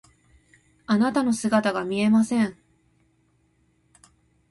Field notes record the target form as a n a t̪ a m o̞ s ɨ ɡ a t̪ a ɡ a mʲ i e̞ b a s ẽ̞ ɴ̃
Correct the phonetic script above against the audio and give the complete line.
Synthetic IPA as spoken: a n a t̪ a n o̞ s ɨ ɡ a t̪ a ɡ a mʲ i e̞ m a s ẽ̞ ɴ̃